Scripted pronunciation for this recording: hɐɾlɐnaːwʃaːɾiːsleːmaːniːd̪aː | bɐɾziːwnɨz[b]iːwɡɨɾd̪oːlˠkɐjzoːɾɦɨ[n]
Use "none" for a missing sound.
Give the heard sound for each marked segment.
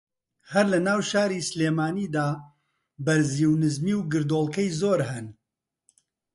m, n

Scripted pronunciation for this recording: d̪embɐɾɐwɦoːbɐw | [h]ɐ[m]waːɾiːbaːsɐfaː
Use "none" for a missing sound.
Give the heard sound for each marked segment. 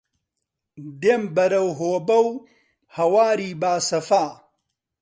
h, none

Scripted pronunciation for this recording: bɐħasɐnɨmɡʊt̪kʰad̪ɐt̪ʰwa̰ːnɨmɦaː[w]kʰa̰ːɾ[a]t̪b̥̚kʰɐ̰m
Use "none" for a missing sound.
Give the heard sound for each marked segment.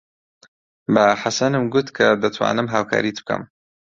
w, i

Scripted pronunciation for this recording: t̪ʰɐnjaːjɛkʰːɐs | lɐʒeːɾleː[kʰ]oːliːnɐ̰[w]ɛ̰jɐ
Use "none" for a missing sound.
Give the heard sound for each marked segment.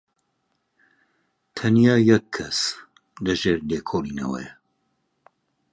kʰ, w

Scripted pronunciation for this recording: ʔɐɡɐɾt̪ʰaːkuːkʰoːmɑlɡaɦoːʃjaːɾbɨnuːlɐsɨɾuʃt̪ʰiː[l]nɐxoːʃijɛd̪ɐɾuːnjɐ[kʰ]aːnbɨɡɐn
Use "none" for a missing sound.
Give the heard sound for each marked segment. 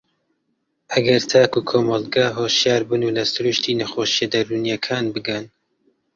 none, kʰ

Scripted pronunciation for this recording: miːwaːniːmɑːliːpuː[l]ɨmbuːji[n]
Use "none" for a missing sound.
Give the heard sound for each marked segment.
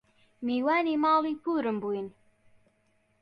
ɾ, n

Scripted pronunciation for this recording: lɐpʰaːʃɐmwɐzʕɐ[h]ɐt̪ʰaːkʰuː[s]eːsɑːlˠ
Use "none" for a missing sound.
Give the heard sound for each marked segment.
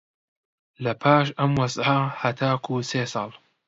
h, s

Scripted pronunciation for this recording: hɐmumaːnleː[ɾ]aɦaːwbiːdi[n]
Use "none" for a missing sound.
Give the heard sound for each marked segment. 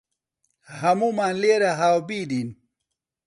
ɾ, n

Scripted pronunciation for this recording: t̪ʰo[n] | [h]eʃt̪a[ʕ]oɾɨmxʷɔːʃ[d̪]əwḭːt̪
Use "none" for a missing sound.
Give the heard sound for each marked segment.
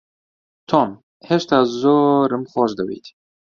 m, h, z, d̪

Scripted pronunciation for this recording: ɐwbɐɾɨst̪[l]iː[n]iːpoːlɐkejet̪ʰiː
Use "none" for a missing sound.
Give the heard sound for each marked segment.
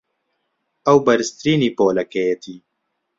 ɾ, n

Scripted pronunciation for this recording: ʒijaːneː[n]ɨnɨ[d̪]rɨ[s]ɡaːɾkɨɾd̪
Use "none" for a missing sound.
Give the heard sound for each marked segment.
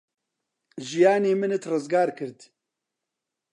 m, t̪, z

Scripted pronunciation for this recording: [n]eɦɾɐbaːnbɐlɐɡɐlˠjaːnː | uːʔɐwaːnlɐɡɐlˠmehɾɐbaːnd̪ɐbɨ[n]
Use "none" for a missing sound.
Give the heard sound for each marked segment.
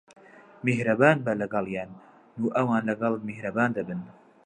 m, n

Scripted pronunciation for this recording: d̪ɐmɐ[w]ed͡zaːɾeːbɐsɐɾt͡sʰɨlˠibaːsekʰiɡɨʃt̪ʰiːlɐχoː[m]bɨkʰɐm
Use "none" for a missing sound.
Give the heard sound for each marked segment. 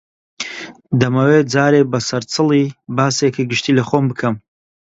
w, m

